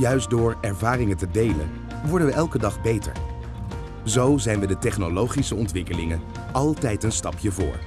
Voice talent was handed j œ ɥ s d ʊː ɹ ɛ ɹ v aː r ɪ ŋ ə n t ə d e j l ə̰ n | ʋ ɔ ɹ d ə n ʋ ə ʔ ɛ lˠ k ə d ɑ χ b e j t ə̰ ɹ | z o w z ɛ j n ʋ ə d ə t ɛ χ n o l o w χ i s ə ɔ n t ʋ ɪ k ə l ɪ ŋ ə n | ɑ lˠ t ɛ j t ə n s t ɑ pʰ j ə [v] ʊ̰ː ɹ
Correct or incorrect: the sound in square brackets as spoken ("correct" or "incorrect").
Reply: correct